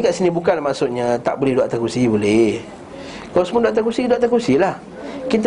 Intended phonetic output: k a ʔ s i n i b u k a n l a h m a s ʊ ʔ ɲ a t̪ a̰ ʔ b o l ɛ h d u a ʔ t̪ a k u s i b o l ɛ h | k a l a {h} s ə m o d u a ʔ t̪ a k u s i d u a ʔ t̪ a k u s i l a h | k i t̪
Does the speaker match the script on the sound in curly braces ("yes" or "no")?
no